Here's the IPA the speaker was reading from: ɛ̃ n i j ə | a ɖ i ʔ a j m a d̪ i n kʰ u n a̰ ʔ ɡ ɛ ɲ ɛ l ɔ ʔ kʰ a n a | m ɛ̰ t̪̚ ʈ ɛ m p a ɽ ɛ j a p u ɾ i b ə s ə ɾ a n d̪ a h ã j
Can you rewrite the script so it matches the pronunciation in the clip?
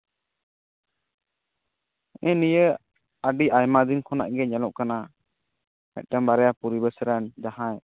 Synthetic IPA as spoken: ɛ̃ n i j ə | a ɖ i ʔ a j m a d̪ i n kʰ ɔ n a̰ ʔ ɡ ɛ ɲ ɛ l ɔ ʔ k a n a | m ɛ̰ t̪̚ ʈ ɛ m b a ɾ ɛ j a p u ɾ i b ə s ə ɾ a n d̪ a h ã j